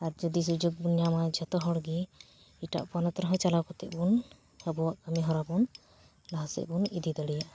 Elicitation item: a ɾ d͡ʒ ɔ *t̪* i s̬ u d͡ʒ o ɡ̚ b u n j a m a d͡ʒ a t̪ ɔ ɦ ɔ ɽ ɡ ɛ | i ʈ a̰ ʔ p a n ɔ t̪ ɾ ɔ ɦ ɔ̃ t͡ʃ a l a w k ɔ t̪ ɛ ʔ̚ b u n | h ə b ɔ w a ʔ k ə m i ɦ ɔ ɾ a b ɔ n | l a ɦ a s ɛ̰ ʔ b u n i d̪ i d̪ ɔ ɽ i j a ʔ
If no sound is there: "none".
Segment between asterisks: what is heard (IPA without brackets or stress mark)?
d̪